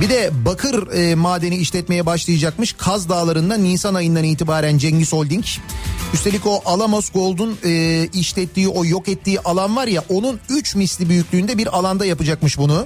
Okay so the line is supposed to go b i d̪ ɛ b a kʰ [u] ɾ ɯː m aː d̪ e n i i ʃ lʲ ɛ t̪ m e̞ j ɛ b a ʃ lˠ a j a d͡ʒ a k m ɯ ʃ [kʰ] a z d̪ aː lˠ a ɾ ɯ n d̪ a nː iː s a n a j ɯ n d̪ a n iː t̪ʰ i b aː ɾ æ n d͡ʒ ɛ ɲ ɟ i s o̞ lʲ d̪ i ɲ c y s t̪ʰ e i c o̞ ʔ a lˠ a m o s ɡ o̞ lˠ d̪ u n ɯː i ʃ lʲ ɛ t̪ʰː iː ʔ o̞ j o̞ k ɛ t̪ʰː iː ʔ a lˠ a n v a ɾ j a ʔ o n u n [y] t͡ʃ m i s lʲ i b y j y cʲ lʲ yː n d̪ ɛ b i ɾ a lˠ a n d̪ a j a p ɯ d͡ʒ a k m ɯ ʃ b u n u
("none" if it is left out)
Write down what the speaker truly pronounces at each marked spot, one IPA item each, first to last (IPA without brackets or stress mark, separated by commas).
ɯ, kʰ, y